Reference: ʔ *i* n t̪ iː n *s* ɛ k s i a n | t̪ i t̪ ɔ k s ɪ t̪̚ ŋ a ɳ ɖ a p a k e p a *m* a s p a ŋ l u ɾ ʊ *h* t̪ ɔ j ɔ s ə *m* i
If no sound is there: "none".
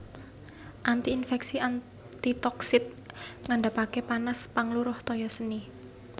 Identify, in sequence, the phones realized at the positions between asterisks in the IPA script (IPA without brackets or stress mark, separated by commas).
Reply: a, f, n, h, n